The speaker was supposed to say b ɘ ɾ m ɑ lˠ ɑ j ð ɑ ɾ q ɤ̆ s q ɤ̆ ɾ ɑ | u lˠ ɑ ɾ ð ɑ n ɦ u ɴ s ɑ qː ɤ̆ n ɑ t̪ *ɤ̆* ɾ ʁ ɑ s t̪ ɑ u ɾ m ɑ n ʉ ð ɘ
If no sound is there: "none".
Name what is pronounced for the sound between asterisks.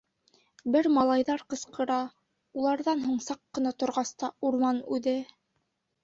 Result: ŏ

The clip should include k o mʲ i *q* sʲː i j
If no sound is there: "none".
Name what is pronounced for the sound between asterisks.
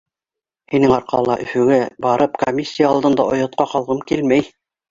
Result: none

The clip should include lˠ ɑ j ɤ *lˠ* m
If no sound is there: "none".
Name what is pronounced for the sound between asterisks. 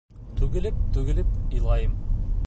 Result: none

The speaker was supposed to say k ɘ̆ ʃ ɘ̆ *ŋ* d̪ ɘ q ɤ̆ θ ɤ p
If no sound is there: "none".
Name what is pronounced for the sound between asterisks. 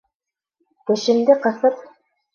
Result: n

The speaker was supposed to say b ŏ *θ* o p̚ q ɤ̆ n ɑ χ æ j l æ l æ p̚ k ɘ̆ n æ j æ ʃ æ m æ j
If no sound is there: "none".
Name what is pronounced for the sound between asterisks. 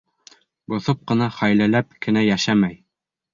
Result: θ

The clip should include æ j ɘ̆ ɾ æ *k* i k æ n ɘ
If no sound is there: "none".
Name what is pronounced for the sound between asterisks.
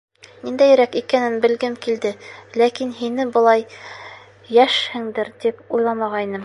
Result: k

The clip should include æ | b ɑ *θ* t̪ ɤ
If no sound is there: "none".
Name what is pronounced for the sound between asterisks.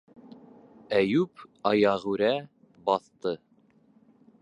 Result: θ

